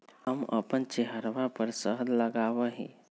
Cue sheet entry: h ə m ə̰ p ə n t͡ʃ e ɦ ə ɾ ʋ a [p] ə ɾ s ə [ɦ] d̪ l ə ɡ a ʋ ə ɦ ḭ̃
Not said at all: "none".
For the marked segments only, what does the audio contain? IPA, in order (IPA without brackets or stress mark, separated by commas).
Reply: p, ɦ